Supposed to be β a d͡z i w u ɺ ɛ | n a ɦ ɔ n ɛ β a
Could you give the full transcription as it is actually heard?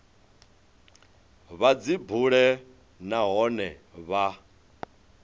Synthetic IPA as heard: β a d͡z i b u ɺ ɛ | n a ɦ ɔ n ɛ β a